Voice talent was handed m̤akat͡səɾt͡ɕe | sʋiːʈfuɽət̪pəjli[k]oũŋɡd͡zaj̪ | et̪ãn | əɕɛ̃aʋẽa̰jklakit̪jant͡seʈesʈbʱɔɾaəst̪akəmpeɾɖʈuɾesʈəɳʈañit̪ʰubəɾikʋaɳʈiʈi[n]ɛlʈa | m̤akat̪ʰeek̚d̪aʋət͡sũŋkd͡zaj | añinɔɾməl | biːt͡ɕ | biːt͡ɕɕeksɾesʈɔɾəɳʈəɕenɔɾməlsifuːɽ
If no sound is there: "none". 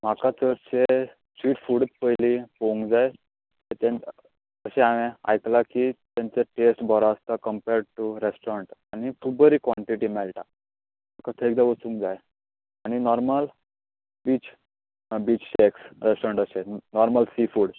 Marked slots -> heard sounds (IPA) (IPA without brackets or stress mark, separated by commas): p, m